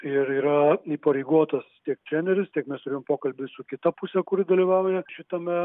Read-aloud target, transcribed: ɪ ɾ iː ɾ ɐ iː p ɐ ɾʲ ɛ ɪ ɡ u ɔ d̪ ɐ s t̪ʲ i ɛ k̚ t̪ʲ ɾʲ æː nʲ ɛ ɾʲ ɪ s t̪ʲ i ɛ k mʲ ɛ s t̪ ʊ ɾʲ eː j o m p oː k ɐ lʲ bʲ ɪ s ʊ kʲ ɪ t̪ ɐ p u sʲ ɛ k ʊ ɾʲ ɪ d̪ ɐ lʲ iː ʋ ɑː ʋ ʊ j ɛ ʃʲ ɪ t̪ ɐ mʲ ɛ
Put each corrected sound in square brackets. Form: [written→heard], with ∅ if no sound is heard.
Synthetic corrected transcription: ɪ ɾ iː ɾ ɐ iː p ɐ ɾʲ ɛ ɪ ɡ u ɔ [d̪→t̪] ɐ s t̪ʲ i ɛ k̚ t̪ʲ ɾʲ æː nʲ ɛ ɾʲ ɪ s t̪ʲ i ɛ k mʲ ɛ s t̪ ʊ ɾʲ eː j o m p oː k ɐ lʲ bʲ ɪ s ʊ kʲ ɪ t̪ ɐ p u sʲ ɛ k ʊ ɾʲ ɪ d̪ ɐ lʲ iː ʋ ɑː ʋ ʊ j ɛ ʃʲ ɪ t̪ ɐ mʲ ɛ